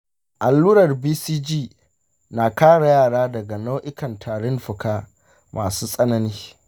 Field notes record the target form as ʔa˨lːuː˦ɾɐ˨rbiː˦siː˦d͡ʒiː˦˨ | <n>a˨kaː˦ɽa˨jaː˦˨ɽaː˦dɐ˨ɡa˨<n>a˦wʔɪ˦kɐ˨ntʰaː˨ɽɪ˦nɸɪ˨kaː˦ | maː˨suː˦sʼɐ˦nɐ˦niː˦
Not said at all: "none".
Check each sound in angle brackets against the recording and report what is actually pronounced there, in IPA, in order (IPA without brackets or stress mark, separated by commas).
n, n